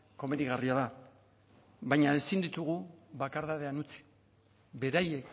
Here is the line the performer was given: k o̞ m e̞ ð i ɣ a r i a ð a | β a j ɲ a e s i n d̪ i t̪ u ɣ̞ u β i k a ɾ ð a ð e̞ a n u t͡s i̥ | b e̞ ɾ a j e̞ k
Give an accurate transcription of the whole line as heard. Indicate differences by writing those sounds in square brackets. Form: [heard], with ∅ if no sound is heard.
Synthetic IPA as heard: k o̞ m e̞ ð i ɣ a r i a ð a | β a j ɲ a e s i n d̪ i t̪ u ɣ̞ u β [a] k a ɾ ð a ð e̞ a n u t͡s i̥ | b e̞ ɾ a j e̞ k